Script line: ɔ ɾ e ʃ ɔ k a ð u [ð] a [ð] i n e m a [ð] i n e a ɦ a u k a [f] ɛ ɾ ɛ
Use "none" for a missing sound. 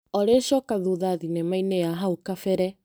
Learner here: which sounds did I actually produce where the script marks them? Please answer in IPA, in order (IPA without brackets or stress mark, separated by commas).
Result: ð, ð, none, f